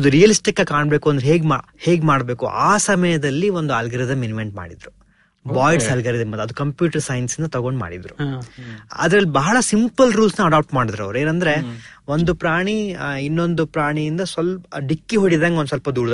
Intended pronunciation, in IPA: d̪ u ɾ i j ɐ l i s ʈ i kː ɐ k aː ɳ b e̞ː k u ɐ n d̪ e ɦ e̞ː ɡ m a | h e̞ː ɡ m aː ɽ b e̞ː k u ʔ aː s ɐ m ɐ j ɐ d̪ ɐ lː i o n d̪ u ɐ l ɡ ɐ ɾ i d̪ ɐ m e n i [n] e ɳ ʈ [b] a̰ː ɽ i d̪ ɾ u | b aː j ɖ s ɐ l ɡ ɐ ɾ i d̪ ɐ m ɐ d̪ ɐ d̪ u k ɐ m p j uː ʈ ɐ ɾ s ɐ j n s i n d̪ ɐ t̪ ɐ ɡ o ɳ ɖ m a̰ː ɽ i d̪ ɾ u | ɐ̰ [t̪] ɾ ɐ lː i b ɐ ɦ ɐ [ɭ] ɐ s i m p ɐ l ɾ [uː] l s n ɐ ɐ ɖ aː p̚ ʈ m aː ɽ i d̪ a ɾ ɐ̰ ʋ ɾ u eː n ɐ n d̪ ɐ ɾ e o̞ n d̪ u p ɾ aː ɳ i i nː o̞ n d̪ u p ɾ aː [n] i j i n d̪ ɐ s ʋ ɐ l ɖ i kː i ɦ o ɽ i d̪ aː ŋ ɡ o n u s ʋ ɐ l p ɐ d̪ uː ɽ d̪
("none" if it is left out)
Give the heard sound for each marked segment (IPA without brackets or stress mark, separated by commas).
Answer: m, m, d̪, ɭ, uː, ɳ